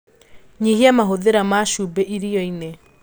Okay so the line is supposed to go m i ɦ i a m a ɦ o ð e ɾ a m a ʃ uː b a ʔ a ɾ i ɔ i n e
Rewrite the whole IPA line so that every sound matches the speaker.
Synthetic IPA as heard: ɲ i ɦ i a m a ɦ o ð e ɾ a m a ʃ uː b e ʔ i ɾ i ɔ i n e

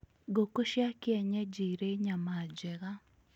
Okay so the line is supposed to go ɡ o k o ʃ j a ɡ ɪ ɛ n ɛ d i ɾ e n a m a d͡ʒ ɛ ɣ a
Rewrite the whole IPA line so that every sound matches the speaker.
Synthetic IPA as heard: ɡ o k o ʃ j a k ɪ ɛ ɲ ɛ d͡ʒ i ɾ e ɲ a m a d͡ʒ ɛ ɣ a

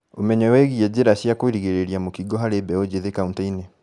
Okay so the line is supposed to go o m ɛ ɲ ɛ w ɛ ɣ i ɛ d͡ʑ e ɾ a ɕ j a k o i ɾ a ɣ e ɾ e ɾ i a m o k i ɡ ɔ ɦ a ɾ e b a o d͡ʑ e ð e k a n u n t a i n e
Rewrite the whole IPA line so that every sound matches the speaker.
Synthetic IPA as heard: o m ɛ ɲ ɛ w ɛ ɣ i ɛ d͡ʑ e ɾ a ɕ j a k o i ɾ i ɣ e ɾ e ɾ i a m o k i ɡ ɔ ɦ a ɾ e b ɛ o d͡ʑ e ð e k a u n t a i n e

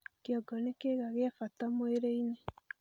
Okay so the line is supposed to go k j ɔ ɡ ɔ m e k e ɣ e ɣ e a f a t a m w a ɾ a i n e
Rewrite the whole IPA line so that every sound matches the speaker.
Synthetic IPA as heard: k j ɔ ɡ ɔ n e k e ɣ a ɣ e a f a t a m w e ɾ e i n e

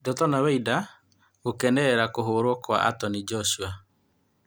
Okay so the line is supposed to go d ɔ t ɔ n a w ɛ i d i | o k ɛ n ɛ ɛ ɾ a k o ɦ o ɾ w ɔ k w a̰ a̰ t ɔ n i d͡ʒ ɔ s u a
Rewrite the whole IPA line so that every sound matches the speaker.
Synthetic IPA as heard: d ɔ t ɔ n a w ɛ i d a | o k ɛ n ɛ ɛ ɾ a k o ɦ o ɾ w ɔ k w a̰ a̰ t ɔ n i d͡ʒ ɔ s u a

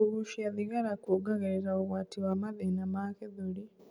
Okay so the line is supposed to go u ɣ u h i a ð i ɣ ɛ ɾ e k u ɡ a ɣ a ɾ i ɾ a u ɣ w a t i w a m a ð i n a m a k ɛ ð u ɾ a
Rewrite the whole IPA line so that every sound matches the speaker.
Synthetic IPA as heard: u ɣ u ʃ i a ð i ɣ a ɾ a k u ɡ a ɣ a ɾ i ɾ a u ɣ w a t i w a m a ð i n a m a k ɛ ð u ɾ i

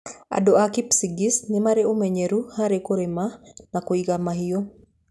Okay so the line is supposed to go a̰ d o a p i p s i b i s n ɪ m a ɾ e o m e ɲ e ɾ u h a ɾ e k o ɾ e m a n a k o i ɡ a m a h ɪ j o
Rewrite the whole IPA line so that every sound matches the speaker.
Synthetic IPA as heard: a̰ d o a k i p s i ɡ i s n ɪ m a ɾ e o m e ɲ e ɾ u h a ɾ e k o ɾ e m a n a k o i ɡ a m a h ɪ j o

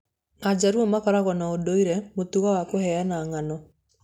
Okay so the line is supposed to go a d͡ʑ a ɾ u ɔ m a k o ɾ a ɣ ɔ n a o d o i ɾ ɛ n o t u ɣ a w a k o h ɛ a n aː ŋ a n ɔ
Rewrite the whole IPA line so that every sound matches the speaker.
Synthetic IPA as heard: a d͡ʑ a ɾ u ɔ m a k ɔ ɾ a ɣ ɔ n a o d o i ɾ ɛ m o t u ɣ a w a k o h ɛ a n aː ŋ a n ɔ

